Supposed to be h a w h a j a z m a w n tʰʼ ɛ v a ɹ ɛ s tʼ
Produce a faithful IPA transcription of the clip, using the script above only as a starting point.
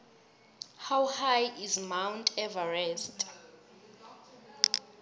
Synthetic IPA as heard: h a w h a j i z m a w n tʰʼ ɛ v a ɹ ɛ s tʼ